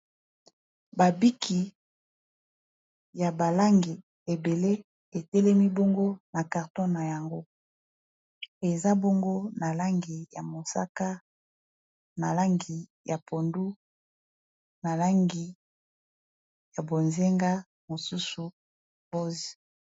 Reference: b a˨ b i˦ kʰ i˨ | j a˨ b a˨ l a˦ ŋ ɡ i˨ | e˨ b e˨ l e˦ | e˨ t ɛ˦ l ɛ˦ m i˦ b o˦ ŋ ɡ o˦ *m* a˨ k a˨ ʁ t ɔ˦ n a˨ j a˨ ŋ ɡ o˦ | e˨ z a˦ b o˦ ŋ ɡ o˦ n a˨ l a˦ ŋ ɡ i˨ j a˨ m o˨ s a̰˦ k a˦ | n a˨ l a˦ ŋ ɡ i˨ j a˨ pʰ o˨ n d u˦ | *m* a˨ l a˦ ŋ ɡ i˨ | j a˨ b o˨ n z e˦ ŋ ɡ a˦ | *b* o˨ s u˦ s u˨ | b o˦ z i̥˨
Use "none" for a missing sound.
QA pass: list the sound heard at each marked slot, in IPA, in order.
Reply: n, n, m

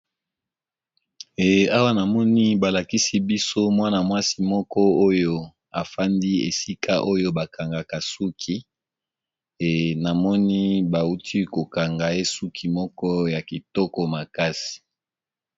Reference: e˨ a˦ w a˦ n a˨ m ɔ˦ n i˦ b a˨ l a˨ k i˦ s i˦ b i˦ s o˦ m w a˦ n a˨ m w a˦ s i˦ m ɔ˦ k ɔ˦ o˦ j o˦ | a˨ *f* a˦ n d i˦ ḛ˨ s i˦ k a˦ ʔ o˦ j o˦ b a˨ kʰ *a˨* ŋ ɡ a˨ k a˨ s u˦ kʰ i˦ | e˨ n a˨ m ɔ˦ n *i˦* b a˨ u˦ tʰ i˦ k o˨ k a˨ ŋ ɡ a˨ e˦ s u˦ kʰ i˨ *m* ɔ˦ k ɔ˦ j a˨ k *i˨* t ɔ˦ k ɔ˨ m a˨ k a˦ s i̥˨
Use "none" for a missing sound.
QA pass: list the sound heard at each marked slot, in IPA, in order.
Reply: f, a˨, i˦, m, i˨

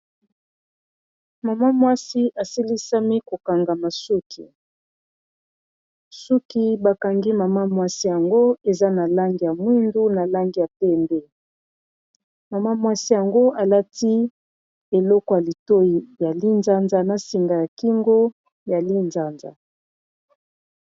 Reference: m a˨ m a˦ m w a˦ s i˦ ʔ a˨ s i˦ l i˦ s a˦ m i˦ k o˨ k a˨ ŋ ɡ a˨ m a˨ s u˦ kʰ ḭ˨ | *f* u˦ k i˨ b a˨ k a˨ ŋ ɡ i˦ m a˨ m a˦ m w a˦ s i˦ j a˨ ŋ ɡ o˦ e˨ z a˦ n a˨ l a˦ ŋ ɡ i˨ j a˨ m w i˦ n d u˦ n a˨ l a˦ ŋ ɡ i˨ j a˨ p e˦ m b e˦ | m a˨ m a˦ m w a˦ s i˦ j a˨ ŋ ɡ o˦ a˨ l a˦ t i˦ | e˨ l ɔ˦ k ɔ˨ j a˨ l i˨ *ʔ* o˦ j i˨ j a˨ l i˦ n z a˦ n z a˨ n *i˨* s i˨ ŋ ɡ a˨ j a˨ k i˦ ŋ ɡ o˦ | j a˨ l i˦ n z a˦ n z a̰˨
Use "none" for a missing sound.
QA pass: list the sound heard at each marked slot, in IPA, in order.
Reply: s, t, a˨

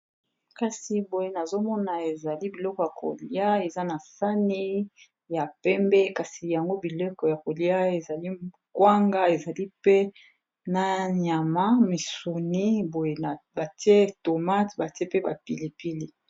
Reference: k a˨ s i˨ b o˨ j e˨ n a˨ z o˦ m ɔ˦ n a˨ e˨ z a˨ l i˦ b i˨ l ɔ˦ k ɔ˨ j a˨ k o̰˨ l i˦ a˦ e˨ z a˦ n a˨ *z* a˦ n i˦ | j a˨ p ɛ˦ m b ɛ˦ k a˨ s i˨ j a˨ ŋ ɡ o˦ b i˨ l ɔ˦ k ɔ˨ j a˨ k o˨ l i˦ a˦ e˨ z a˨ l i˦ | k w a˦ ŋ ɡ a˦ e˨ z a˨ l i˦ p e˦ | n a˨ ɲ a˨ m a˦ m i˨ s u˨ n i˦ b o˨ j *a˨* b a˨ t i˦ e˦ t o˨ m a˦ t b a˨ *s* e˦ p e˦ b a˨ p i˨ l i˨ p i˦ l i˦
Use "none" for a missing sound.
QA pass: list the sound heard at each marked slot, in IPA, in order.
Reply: s, e˨, t

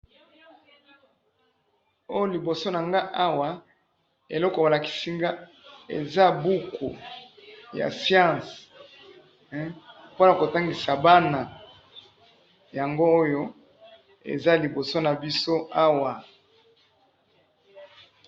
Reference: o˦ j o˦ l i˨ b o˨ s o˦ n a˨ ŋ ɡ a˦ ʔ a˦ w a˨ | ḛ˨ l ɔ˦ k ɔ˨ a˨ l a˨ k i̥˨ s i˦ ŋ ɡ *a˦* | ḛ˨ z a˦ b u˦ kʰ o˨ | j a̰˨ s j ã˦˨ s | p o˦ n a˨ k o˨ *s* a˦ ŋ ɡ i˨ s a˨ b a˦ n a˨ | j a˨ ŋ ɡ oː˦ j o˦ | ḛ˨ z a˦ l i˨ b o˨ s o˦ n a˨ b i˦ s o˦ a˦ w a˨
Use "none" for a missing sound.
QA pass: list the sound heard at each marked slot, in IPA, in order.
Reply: a˦, t

